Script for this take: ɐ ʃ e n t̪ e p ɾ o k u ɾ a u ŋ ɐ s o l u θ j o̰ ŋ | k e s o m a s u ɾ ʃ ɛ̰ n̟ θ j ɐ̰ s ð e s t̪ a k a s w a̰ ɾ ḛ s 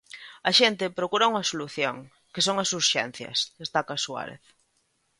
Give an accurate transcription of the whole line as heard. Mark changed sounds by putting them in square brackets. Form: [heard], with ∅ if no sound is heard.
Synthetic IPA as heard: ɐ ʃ e n t̪ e p ɾ o k u ɾ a u ŋ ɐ s o l u θ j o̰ ŋ | k e s o [ŋ] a s u ɾ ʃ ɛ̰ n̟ θ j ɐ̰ s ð e s t̪ a k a s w a̰ ɾ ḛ [θ]